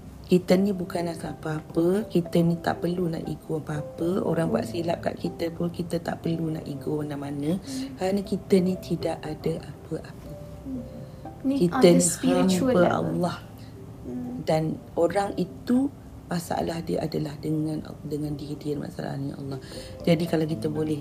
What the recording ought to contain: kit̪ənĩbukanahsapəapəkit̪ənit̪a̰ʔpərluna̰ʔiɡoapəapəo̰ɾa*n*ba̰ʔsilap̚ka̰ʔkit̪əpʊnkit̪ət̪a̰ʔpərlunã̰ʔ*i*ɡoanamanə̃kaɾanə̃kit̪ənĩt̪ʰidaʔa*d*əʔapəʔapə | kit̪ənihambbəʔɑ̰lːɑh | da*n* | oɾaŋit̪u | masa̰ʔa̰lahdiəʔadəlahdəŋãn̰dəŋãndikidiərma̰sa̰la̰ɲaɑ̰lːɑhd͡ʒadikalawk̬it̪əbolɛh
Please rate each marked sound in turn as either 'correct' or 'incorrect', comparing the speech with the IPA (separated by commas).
incorrect, correct, correct, correct